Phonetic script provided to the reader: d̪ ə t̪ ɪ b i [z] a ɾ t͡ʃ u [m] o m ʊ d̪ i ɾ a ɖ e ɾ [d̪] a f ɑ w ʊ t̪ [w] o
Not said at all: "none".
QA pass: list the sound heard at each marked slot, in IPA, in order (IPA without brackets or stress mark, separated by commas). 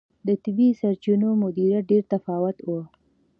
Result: s, n, t̪, w